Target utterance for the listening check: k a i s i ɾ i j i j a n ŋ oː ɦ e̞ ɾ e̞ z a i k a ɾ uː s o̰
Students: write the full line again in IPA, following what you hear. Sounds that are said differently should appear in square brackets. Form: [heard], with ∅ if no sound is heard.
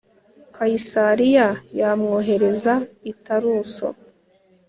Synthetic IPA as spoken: k a i s [a] ɾ i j [a] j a [m] ŋ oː ɦ e̞ ɾ e̞ z a i [t] a ɾ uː s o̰